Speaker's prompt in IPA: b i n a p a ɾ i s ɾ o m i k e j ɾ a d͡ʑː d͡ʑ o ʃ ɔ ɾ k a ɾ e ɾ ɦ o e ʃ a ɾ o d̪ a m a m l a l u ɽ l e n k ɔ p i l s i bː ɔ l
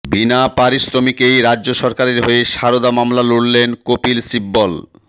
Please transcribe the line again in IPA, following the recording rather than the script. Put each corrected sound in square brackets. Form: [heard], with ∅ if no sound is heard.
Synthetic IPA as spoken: b i n a p a ɾ i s ɾ o m i k e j ɾ a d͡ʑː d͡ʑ o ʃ ɔ ɾ k a ɾ e ɾ ɦ o e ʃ a ɾ o d̪ a m a m l a l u ɽ l e n k [o] p i l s i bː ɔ l